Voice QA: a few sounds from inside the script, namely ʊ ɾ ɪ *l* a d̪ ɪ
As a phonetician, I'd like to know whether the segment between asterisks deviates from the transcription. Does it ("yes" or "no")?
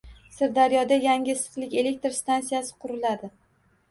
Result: no